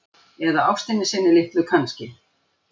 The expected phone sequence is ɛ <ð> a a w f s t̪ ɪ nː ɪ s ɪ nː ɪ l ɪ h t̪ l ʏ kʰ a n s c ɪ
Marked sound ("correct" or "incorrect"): correct